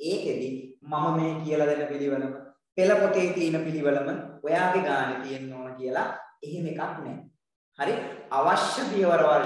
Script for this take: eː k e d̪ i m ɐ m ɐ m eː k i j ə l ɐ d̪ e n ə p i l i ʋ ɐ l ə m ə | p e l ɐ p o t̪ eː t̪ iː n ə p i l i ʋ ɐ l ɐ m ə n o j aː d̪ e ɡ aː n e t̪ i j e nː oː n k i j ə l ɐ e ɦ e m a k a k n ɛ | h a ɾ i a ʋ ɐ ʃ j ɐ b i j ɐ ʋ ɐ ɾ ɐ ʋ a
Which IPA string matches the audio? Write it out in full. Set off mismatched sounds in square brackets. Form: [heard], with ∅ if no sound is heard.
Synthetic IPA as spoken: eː k e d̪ i m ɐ m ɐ m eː k i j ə l ɐ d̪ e n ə p i l i ʋ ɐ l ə m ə | p e l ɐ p o t̪ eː t̪ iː n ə p i l i ʋ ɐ l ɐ m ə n o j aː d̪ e ɡ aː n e t̪ i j e nː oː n k i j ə l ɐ e ɦ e m [e] k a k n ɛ | h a ɾ i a ʋ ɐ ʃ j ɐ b i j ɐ ʋ ɐ ɾ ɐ ʋ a